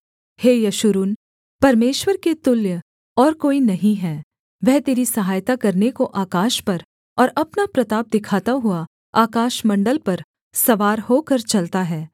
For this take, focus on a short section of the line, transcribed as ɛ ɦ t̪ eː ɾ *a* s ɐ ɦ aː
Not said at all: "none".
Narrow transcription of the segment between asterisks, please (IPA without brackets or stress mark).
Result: i